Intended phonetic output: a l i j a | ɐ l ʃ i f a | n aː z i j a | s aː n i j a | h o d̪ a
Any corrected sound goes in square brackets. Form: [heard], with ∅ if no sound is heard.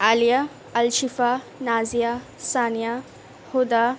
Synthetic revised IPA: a l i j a | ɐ l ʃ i f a | n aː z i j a | s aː n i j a | h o d̪ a